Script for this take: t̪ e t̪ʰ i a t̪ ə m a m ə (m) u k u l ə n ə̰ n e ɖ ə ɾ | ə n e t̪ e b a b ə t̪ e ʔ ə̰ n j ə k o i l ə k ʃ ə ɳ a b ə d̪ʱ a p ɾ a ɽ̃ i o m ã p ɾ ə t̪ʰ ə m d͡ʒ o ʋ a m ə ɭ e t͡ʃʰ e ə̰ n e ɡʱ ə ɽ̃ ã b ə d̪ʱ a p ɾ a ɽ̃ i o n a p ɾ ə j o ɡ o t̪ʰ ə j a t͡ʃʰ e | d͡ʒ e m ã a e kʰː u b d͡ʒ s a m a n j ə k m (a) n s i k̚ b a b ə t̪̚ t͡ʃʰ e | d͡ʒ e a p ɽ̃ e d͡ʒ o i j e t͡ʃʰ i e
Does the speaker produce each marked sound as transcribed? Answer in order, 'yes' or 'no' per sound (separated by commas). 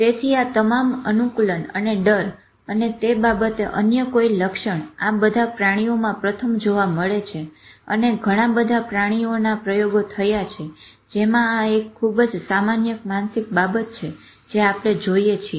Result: no, yes